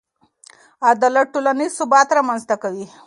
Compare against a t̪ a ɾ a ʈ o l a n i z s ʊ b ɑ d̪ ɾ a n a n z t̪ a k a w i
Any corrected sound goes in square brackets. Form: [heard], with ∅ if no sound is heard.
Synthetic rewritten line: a [d̪] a [l] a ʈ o l a n i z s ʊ b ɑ [t̪] ɾ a [m] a n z t̪ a k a w i